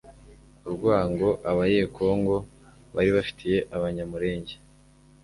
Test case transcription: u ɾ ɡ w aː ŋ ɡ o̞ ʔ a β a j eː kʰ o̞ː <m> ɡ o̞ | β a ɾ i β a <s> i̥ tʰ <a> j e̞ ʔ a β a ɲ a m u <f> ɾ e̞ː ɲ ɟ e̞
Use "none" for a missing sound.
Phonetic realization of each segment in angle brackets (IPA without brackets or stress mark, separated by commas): ŋ, f, i, none